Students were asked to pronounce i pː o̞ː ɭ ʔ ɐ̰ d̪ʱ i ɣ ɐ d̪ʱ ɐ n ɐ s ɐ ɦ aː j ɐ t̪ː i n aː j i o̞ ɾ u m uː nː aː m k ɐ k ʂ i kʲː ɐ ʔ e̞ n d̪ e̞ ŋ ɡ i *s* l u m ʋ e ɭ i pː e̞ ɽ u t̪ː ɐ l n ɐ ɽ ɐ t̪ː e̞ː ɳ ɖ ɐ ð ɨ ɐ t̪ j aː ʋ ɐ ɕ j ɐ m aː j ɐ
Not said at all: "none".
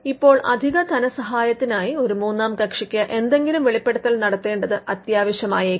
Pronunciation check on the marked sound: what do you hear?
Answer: none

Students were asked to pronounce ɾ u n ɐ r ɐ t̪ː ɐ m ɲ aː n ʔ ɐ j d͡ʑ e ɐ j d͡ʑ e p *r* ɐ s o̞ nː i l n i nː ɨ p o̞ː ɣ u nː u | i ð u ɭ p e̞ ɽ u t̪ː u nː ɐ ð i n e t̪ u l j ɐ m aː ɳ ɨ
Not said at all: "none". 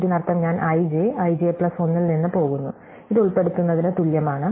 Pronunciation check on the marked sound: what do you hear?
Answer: ɭ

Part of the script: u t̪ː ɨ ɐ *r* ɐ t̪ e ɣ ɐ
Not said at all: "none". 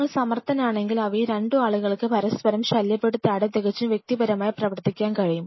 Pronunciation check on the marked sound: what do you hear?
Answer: ɽ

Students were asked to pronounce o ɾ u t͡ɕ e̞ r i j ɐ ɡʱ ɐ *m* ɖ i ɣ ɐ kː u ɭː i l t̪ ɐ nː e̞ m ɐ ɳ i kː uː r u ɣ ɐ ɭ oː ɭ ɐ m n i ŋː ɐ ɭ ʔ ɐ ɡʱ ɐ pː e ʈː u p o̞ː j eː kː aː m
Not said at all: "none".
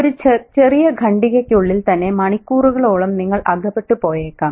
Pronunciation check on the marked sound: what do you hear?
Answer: ɳ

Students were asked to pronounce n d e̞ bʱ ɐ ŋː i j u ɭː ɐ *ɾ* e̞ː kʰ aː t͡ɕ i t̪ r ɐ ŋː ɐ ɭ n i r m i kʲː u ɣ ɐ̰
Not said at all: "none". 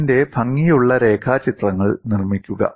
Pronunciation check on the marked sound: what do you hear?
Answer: ɾ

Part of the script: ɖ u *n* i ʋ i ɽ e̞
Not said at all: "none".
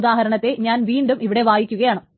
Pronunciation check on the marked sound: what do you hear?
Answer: m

